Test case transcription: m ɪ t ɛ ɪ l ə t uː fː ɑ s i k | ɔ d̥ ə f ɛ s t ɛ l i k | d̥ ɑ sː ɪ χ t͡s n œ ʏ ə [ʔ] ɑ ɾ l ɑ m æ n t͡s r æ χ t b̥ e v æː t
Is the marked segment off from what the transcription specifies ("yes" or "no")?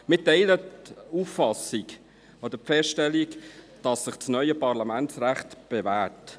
yes